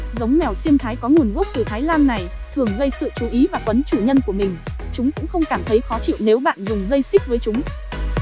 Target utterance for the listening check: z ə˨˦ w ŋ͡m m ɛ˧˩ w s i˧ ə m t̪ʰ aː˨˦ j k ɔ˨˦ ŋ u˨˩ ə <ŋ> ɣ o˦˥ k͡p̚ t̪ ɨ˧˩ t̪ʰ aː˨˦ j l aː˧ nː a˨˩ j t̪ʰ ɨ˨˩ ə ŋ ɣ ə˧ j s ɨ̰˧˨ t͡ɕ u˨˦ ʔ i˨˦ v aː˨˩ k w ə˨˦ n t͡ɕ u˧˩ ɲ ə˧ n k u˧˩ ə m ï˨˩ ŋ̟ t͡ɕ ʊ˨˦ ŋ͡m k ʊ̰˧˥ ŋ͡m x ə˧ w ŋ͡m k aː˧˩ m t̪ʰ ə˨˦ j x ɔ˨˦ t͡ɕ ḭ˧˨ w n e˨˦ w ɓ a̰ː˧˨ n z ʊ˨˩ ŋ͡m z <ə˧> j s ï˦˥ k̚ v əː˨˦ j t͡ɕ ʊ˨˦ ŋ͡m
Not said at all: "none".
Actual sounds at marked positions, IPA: n, ə˧

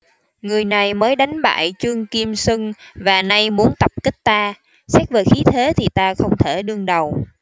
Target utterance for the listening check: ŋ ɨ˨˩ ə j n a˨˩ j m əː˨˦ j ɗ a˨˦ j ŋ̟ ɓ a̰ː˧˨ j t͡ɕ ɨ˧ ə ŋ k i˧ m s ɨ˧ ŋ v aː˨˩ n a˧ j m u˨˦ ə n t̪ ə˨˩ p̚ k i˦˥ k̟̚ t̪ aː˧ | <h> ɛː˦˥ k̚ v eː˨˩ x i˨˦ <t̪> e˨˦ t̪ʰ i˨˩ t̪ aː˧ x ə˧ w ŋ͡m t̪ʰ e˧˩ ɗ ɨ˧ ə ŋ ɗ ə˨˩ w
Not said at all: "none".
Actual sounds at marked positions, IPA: s, t̪ʰ

